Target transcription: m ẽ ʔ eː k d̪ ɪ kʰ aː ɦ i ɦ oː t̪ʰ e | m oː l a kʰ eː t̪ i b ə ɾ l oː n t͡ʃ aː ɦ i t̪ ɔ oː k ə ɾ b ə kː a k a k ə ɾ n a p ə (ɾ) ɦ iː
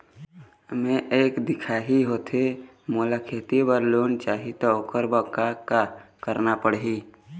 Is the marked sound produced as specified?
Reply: no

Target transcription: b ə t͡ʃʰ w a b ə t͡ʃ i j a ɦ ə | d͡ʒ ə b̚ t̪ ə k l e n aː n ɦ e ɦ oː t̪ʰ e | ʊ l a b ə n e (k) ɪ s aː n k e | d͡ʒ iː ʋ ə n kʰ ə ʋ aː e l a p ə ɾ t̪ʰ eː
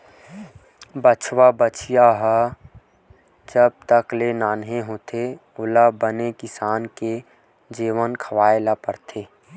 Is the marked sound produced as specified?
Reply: yes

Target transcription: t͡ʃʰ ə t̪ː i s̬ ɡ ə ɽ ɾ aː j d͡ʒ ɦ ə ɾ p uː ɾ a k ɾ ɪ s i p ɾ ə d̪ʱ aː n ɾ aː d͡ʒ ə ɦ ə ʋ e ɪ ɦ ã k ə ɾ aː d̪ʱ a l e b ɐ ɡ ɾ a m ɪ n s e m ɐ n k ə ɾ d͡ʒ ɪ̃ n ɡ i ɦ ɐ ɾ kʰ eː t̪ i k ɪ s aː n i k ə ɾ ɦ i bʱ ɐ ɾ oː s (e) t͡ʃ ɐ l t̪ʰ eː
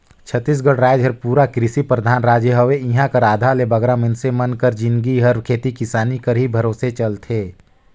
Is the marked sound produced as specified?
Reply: yes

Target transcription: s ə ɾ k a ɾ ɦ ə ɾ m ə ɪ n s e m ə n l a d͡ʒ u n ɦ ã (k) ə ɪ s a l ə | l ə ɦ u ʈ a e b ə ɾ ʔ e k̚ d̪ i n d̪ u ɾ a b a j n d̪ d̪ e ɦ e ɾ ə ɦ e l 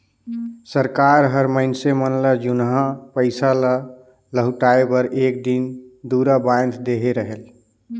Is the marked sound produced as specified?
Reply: no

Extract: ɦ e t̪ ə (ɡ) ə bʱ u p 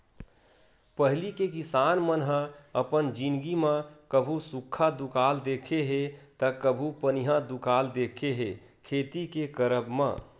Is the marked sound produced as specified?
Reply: no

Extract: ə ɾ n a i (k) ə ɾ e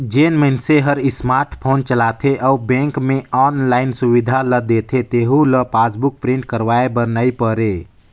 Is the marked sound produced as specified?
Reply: no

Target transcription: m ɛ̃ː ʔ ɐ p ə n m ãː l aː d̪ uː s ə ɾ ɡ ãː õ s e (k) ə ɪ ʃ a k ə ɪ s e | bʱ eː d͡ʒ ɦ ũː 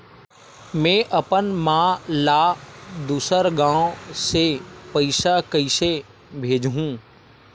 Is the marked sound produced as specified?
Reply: no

